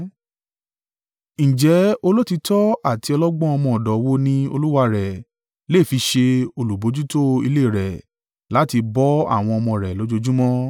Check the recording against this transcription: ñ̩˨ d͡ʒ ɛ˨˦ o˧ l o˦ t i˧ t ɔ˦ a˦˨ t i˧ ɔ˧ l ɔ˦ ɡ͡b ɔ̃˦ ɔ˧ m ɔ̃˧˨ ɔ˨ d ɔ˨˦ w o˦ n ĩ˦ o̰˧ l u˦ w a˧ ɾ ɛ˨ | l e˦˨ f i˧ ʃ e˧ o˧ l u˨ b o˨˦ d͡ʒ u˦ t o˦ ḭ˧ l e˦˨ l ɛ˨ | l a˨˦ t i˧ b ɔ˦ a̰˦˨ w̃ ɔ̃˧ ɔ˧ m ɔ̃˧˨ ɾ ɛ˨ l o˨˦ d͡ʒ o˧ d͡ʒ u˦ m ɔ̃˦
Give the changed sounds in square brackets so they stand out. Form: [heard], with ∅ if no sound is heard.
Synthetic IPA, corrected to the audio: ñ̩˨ d͡ʒ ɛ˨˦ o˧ l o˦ t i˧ t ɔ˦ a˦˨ t i˧ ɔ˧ l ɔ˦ ɡ͡b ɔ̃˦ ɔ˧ m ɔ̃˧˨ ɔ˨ d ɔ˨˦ w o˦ n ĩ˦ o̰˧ l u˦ w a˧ ɾ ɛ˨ | l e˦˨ f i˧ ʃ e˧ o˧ l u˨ b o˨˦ d͡ʒ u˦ t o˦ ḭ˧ l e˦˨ [ɾ] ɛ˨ | l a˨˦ t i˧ b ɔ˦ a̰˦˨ w̃ ɔ̃˧ ɔ˧ m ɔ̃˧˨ ɾ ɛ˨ l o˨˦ d͡ʒ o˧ d͡ʒ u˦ m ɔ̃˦